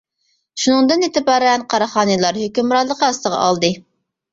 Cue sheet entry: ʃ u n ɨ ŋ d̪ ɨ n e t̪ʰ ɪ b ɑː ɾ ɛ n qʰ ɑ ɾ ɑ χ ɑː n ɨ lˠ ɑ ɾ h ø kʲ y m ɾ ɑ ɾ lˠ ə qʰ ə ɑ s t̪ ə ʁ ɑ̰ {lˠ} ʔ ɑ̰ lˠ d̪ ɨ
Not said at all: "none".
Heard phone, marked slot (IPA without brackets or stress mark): none